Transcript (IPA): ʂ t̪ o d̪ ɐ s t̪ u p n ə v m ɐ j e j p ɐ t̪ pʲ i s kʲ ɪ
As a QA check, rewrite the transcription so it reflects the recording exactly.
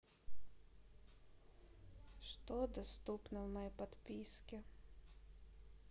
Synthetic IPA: ʂ t̪ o d̪ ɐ s t̪ u p n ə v m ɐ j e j p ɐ t̪ pʲ i s kʲ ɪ

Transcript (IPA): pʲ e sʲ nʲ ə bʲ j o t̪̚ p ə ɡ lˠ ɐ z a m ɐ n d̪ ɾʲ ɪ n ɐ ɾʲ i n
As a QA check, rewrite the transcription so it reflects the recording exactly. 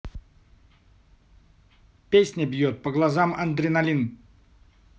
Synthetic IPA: pʲ e sʲ nʲ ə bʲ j o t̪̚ p ə ɡ lˠ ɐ z a m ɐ n d̪ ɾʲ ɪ n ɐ lʲ i n

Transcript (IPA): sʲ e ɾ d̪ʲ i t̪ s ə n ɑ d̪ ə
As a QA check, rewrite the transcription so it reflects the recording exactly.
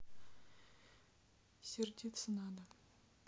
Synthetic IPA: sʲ e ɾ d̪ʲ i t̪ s ə n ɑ d̪ ə

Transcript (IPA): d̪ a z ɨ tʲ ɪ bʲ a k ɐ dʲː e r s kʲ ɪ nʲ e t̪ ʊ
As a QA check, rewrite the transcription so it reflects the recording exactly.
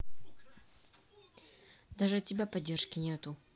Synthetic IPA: d̪ a ʐ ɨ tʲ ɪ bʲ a p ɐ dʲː e r ʂ kʲ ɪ nʲ e t̪ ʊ

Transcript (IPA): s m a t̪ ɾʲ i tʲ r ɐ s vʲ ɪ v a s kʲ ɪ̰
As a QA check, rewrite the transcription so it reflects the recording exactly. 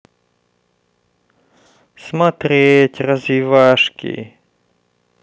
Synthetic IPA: s m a t̪ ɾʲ e tʲ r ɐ z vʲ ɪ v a ʂ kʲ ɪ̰

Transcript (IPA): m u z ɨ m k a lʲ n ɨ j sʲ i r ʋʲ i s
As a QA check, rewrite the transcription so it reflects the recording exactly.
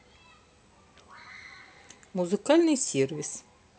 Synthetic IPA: m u z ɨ k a lʲ n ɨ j sʲ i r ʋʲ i s

